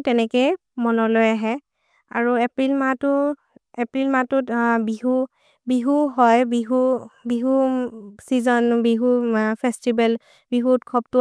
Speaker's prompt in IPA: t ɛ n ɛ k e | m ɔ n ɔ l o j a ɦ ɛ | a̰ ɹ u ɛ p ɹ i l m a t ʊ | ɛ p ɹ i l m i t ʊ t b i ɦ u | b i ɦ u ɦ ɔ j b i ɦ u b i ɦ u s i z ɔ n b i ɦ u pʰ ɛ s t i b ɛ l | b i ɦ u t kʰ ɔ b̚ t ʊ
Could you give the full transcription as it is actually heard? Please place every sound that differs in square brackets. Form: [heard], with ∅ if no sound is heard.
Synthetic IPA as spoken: t ɛ n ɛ k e | m ɔ n ɔ l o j a ɦ ɛ | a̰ ɹ u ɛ p ɹ i l m a t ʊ | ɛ p ɹ i l m [a] t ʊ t b i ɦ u | b i ɦ u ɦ ɔ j b i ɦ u b i ɦ u s i z ɔ n b i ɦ u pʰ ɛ s t i b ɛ l | b i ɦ u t kʰ ɔ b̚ t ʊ